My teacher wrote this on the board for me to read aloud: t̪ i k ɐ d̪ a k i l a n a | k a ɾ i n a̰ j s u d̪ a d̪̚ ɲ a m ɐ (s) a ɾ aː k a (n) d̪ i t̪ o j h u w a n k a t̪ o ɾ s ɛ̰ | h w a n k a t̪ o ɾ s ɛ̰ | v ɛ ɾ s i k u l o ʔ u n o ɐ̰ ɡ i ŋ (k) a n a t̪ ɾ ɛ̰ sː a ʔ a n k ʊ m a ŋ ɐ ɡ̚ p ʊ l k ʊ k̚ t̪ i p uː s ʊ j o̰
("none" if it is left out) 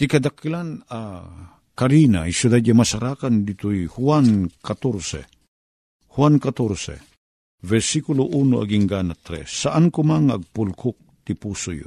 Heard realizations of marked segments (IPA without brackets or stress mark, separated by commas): s, n, ɡ